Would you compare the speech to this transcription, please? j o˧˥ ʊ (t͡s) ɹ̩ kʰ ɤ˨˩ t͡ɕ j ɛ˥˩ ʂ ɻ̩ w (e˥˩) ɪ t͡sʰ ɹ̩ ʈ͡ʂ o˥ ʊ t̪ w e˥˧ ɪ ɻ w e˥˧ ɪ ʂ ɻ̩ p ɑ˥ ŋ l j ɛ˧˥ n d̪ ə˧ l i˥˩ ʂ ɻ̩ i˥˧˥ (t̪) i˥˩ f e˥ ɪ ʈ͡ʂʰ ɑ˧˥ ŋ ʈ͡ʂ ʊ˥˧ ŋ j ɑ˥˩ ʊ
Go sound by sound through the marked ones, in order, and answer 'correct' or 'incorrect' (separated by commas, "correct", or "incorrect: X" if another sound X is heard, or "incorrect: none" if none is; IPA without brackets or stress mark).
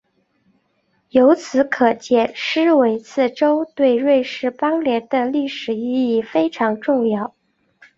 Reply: incorrect: t͡sʰ, incorrect: e˧˥, incorrect: none